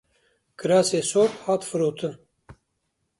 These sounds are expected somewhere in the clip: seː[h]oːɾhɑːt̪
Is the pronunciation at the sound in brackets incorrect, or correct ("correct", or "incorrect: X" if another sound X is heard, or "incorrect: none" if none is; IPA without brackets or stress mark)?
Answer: incorrect: s